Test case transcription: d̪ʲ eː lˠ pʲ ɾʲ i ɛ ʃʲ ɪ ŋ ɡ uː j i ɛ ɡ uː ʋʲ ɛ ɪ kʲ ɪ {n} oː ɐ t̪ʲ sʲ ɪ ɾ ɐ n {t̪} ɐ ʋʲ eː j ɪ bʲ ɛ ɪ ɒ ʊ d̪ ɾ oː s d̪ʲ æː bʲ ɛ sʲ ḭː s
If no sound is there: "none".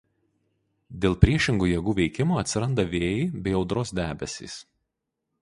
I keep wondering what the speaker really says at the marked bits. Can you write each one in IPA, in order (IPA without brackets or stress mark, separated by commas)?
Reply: m, d̪